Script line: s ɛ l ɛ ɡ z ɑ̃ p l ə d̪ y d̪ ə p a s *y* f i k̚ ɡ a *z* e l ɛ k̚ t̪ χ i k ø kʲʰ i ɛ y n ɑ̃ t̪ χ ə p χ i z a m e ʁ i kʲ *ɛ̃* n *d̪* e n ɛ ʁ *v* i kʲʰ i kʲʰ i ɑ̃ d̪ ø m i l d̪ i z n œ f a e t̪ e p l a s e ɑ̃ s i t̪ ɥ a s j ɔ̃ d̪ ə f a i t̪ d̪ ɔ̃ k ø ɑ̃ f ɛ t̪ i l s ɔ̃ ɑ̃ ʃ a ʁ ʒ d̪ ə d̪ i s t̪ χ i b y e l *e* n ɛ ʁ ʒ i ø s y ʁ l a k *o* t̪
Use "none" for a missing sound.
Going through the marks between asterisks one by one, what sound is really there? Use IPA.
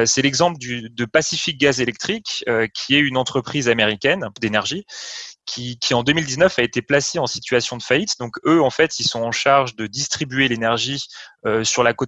i, z, ɛ, d̪, ʒ, e, o

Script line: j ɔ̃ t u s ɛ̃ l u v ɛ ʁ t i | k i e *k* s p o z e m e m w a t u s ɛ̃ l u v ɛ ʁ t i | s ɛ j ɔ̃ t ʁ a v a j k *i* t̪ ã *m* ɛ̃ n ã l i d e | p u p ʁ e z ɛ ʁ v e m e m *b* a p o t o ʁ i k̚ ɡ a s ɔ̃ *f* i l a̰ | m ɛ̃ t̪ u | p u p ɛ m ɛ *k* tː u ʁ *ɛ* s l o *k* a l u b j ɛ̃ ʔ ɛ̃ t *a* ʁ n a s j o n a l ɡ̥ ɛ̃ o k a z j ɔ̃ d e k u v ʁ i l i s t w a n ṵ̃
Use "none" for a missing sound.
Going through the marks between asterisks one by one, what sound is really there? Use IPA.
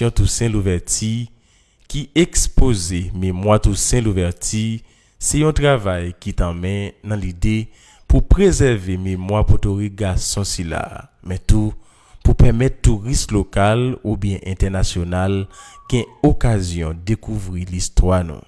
k, i, m, w, s, t, i, k, ɛ

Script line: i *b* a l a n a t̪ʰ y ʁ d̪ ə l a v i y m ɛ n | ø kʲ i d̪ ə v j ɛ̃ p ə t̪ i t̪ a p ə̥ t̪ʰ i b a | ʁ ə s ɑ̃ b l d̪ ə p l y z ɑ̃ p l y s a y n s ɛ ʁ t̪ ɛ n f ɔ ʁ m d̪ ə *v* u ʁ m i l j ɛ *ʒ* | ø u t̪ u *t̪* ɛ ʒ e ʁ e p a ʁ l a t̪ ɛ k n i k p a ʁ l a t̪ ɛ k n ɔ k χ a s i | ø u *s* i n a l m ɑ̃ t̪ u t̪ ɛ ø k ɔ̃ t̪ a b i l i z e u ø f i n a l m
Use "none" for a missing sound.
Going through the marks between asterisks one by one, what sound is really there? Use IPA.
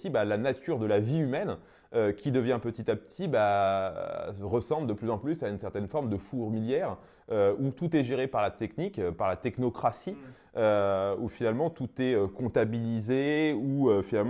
b, f, ʁ, t̪, f

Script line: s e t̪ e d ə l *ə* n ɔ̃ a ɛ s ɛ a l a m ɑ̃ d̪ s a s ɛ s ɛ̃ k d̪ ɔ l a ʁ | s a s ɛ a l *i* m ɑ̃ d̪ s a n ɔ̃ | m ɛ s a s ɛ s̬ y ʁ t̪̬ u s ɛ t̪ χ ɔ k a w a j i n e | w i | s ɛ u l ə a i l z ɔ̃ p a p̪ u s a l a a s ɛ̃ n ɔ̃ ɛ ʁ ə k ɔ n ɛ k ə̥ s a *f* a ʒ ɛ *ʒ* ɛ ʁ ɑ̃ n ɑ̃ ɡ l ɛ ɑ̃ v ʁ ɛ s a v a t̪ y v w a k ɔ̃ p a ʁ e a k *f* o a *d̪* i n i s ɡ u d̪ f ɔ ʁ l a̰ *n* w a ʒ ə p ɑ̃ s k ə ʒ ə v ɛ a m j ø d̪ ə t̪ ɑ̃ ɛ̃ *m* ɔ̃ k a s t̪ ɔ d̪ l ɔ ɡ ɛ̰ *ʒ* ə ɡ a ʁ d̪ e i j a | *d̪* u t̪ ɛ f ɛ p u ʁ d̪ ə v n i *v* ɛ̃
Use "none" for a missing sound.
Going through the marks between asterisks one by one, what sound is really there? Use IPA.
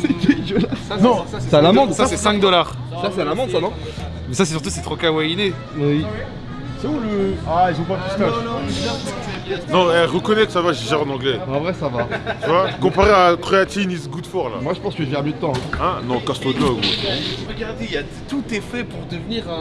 a, a, v, ʒ, χ, t̪, m, n, ʁ, t̪, ʁ

